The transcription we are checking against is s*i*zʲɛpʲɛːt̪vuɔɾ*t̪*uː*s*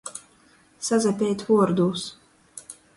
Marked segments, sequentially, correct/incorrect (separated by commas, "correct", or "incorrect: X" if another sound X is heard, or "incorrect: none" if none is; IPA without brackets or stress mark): incorrect: a, incorrect: d̪, correct